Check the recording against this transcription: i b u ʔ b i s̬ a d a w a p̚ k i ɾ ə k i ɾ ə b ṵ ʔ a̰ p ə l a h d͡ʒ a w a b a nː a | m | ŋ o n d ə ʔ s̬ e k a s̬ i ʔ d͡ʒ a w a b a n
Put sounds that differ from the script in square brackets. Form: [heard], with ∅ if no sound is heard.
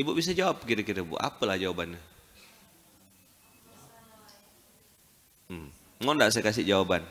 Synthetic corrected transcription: i b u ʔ b i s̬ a [d͡ʒ] a w a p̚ k i ɾ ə k i ɾ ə b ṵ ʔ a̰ p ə l a h d͡ʒ a w a b a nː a | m | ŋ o n d [a] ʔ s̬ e k a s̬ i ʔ d͡ʒ a w a b a n